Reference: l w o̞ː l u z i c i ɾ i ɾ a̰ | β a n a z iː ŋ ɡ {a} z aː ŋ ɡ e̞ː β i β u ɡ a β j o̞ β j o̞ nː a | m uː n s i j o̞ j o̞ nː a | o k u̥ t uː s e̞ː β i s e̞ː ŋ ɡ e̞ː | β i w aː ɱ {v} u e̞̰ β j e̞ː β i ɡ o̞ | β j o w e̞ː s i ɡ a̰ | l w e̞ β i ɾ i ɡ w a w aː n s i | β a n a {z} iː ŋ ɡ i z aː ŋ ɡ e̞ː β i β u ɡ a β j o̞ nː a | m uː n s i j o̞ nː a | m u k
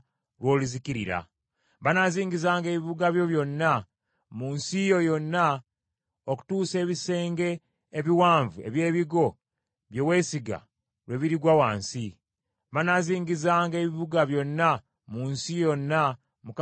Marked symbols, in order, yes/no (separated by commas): no, yes, yes